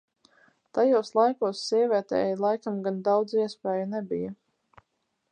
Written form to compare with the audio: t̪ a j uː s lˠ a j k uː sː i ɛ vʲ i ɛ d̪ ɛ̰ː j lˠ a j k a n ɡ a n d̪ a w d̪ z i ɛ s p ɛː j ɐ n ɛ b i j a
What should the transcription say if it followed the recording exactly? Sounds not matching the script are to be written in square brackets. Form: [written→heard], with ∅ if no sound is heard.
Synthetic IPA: t̪ a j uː s lˠ a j k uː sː i ɛ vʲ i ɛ [d̪→t̪] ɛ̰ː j lˠ a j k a [n→m] ɡ a n d̪ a w d̪ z i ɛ s p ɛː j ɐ n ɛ b i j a